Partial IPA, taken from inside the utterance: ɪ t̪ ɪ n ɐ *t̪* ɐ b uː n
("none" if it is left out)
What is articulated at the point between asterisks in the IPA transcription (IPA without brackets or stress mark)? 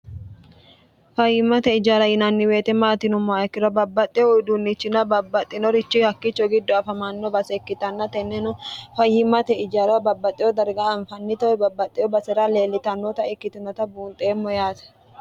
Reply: t̪